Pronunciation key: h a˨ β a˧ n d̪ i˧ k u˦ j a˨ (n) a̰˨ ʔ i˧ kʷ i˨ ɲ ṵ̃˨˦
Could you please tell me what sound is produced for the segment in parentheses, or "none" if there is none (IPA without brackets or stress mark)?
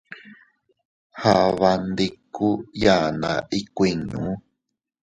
n